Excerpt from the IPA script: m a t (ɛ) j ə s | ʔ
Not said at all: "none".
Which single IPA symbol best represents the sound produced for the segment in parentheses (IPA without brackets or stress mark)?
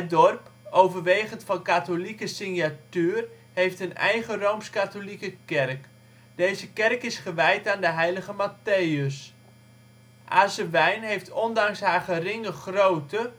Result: e